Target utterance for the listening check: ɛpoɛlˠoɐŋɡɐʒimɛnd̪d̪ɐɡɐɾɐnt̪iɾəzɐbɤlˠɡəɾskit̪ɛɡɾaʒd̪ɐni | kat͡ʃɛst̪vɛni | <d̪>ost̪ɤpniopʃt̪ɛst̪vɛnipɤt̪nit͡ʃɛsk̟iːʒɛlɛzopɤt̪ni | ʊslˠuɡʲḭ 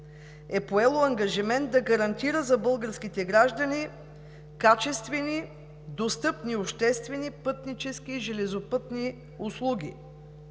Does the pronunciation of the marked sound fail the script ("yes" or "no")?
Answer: no